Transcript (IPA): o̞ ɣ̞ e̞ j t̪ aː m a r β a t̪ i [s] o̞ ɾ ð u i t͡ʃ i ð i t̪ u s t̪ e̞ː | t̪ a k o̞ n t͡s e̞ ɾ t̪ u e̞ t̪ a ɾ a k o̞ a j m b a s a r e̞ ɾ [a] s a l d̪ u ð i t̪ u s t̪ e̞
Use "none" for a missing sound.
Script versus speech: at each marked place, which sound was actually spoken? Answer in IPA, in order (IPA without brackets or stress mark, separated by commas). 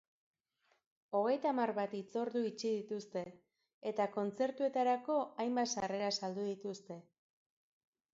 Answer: t͡s, a